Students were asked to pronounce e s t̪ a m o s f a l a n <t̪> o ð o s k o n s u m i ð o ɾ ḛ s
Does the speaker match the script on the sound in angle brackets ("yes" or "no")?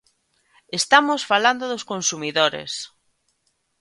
no